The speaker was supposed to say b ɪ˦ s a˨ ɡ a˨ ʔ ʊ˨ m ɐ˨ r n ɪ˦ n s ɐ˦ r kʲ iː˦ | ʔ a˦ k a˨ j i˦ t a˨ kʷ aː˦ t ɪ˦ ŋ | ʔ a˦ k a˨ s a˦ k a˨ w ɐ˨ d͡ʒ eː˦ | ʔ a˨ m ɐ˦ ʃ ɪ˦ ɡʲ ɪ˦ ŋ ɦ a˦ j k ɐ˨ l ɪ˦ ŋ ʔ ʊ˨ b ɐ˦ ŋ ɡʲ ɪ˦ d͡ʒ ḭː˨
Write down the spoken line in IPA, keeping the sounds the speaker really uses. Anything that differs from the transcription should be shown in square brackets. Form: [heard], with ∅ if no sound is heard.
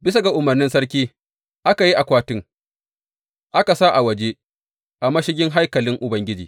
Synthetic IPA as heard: b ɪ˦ s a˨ ɡ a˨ ʔ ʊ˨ m ɐ˨ r n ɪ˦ n s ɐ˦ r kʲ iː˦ | ʔ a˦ k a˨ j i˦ [ʔ] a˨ kʷ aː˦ t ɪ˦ ŋ | ʔ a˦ k a˨ s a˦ [ʔ] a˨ w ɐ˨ d͡ʒ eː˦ | ʔ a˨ m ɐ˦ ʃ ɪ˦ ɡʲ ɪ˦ ŋ ɦ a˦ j k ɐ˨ l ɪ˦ ŋ ʔ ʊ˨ b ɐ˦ ŋ ɡʲ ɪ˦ d͡ʒ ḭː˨